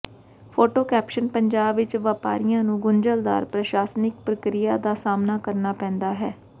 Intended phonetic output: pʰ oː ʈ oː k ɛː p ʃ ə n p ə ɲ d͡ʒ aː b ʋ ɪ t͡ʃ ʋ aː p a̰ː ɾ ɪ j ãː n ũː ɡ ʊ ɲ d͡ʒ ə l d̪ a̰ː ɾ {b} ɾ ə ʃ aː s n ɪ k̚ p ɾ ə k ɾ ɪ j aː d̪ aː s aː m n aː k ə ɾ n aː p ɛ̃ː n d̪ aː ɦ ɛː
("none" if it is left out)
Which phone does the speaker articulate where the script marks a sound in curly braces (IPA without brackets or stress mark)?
p